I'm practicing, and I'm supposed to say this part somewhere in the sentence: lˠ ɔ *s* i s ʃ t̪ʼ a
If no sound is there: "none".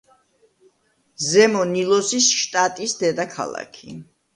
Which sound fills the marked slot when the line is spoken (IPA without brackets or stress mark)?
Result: s